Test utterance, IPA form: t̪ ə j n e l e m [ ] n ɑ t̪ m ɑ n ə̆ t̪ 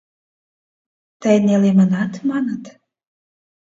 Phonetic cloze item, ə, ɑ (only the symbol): ə